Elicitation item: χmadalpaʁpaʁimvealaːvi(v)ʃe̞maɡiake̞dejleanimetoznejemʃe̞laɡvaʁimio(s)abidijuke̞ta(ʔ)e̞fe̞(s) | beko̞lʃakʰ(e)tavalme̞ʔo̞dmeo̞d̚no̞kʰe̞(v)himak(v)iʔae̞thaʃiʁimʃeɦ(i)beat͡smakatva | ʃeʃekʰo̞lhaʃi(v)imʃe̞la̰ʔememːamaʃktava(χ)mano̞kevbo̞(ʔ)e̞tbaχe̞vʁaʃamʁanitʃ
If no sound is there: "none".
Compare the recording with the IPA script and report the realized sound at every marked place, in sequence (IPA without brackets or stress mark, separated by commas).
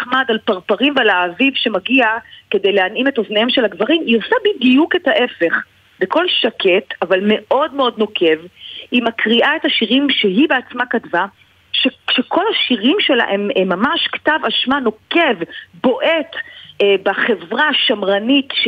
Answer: v, s, ʔ, χ, e, v, ʁ, i, ʁ, ʃ, ʔ